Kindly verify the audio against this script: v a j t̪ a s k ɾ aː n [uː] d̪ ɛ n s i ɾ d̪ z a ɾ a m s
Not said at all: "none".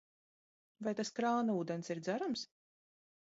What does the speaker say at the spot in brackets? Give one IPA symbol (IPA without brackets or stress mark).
uː